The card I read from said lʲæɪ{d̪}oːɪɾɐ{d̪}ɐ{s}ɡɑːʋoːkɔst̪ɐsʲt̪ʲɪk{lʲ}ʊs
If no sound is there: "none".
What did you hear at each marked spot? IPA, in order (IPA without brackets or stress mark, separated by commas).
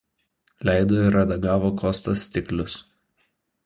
d̪, d̪, none, lʲ